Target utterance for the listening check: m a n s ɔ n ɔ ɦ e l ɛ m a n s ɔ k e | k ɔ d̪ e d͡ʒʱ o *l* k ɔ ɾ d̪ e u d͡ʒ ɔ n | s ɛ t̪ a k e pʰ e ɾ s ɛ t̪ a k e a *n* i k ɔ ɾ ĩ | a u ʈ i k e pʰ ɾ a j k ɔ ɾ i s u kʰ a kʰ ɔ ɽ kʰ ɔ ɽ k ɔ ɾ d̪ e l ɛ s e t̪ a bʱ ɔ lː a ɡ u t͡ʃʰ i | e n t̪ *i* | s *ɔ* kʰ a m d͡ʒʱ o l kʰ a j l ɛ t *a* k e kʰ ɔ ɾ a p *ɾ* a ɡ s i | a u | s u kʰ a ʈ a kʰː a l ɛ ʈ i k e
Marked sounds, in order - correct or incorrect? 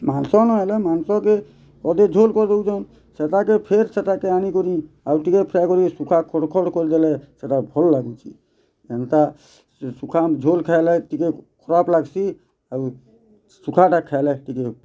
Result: correct, correct, incorrect: a, incorrect: u, incorrect: i, incorrect: l

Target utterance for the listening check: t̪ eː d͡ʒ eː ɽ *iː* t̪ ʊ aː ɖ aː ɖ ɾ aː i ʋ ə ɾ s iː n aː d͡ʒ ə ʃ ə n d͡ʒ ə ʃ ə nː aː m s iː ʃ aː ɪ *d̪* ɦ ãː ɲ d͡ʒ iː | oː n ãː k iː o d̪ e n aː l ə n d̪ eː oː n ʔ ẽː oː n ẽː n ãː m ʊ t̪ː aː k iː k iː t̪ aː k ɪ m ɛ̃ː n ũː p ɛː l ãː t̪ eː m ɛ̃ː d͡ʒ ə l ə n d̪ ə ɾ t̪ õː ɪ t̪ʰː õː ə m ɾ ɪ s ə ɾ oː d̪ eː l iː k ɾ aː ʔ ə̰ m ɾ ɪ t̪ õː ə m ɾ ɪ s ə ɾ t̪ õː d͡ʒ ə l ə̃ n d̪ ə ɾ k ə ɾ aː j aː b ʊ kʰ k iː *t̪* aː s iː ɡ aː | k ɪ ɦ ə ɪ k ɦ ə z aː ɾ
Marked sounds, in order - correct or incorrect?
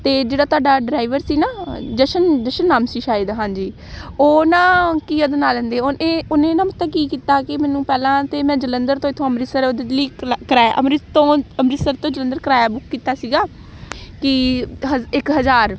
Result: incorrect: aː, correct, correct

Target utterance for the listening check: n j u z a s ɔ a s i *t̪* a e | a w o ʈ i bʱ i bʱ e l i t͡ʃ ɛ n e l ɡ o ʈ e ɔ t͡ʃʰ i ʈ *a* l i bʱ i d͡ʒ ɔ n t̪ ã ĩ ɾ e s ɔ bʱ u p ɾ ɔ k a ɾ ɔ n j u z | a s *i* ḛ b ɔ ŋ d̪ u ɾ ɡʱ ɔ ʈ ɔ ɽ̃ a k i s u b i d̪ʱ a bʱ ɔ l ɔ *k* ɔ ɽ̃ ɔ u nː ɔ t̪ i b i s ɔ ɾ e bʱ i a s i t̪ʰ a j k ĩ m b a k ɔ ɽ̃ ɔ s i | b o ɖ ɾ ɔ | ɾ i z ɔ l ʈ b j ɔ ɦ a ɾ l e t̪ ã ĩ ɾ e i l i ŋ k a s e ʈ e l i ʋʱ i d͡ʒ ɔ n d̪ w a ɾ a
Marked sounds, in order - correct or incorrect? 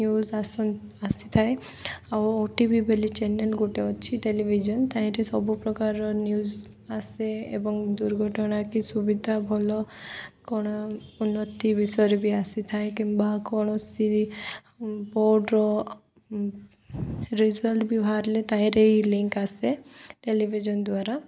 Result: incorrect: t̪ʰ, incorrect: e, incorrect: e, correct

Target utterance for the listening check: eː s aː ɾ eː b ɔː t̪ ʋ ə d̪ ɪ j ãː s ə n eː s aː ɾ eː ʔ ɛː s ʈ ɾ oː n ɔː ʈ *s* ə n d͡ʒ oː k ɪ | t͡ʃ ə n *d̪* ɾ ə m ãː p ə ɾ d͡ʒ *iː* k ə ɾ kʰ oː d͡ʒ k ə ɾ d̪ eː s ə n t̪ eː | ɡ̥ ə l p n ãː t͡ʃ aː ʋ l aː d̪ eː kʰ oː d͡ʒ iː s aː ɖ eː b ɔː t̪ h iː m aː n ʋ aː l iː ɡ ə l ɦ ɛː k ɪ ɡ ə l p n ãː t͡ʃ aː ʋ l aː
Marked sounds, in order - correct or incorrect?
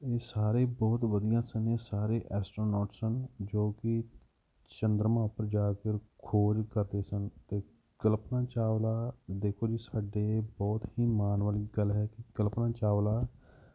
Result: correct, correct, incorrect: aː

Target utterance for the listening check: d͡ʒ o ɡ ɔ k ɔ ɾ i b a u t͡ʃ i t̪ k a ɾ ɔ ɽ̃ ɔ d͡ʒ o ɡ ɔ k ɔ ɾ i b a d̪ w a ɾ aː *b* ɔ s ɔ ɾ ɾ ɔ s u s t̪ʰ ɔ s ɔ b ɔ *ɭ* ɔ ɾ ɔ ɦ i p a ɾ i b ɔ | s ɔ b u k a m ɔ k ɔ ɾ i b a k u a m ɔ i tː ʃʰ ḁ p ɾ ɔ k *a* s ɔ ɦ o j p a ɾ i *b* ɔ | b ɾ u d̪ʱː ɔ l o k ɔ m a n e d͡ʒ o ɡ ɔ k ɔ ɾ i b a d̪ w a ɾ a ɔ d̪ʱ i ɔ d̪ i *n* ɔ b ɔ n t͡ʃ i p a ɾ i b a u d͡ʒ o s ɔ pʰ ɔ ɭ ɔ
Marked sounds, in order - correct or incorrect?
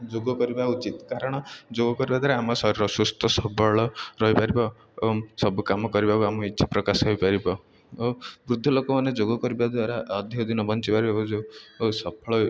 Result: incorrect: m, correct, correct, correct, correct

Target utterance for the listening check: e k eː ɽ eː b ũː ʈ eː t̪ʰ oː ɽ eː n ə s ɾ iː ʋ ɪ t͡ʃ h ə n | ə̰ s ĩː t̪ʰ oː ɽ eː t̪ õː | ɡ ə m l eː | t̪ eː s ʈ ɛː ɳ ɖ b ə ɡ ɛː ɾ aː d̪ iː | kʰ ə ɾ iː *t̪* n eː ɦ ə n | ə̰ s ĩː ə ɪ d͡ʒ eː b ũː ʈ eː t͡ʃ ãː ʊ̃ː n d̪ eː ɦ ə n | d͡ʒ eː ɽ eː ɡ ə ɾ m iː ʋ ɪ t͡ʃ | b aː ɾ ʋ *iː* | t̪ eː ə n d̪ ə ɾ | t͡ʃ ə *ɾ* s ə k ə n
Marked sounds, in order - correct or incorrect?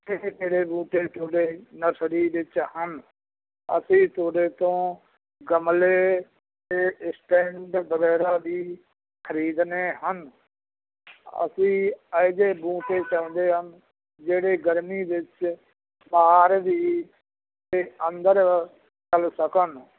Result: incorrect: d̪, correct, incorrect: l

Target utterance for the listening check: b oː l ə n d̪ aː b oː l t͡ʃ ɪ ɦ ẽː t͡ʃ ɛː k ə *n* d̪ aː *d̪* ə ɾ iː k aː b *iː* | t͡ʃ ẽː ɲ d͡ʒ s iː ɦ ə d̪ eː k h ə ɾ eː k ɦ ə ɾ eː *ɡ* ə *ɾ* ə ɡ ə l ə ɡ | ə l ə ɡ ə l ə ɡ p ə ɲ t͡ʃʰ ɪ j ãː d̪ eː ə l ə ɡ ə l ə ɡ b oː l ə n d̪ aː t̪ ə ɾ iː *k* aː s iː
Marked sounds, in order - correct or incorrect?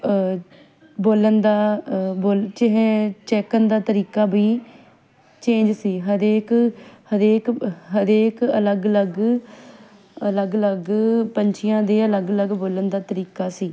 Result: correct, incorrect: t̪, correct, incorrect: k, incorrect: l, correct

